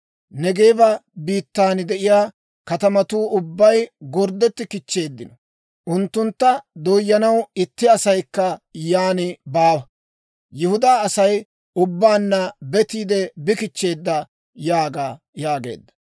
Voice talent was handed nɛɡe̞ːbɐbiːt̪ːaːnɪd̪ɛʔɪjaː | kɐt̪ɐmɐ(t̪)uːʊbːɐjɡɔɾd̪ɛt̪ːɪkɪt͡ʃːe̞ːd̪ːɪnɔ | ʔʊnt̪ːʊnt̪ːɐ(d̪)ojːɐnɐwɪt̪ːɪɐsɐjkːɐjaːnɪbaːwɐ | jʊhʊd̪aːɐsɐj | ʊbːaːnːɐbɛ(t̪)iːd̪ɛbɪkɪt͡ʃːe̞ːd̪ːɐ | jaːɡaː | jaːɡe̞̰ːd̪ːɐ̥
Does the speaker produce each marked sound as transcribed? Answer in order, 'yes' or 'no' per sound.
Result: yes, yes, yes

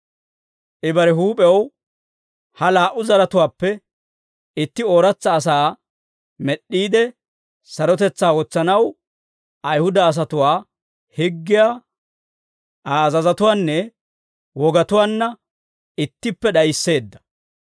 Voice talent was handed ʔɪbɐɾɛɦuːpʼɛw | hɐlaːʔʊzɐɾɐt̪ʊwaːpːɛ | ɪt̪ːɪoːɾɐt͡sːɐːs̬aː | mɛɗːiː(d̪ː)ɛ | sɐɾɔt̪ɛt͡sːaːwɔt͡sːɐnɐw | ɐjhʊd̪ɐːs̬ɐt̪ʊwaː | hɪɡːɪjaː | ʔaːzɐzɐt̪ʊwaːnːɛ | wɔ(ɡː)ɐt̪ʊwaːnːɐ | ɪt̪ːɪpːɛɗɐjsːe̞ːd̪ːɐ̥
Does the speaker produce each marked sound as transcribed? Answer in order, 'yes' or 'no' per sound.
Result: no, no

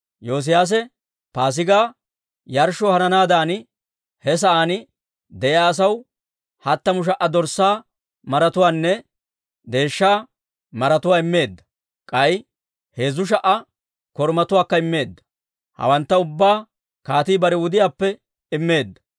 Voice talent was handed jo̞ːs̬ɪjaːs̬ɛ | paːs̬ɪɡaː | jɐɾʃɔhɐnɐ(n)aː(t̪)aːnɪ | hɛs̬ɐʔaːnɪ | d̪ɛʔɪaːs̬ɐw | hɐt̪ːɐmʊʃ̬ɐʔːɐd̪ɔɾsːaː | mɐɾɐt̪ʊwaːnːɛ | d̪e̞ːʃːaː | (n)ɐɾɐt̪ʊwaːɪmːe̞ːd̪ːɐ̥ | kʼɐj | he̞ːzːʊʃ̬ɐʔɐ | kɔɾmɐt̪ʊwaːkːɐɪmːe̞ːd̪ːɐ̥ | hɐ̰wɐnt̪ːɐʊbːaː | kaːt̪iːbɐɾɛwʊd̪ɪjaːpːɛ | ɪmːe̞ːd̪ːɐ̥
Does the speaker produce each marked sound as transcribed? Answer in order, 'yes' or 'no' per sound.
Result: yes, no, no

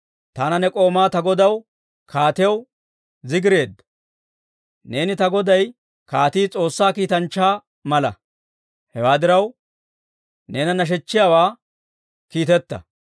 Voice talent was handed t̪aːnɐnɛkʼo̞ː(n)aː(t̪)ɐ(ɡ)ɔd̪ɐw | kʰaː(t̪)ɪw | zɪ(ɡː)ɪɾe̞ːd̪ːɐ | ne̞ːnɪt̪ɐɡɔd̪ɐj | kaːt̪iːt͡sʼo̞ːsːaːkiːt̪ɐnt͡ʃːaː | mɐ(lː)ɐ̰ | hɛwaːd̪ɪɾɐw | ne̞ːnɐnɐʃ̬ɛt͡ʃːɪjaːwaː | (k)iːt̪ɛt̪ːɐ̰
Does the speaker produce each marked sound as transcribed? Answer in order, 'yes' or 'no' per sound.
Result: no, yes, yes, yes, no, no, yes

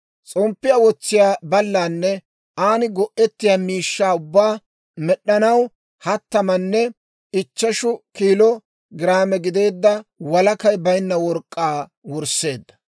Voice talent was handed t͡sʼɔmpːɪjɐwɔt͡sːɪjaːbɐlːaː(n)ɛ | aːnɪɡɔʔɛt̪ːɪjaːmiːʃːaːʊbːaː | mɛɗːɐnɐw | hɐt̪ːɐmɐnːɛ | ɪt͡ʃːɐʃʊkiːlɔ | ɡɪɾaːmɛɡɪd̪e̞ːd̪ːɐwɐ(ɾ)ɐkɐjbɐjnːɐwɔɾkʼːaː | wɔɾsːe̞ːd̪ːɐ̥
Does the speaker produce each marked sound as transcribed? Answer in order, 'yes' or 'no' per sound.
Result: no, no

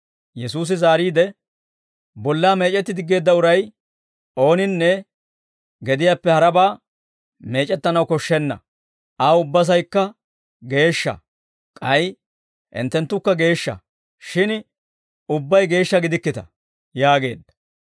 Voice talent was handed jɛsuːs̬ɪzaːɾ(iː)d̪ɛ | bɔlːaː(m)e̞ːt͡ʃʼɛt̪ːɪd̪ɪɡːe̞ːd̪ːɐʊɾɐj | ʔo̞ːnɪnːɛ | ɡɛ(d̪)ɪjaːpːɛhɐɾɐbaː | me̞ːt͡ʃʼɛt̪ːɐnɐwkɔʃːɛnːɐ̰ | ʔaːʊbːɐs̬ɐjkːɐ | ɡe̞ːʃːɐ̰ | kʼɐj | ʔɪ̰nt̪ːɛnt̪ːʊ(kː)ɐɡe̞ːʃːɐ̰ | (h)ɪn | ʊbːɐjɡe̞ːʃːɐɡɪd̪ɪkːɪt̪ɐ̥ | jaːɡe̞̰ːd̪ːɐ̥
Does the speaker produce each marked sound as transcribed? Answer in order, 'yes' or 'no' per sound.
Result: yes, yes, yes, yes, no

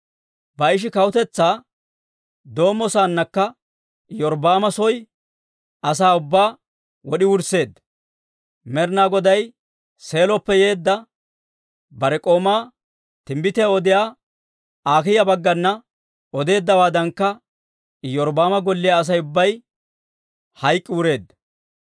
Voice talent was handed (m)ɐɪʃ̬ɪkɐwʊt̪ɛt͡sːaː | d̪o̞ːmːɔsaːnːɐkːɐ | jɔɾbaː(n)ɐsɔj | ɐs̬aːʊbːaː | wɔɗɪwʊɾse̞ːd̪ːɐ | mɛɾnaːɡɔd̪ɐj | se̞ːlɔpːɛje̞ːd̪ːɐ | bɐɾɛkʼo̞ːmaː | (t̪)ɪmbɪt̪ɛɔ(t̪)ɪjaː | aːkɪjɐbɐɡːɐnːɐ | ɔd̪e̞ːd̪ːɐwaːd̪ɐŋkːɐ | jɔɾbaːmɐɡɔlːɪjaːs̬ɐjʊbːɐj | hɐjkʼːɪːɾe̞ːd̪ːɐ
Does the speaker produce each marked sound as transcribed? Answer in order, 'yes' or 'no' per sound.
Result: no, no, yes, no

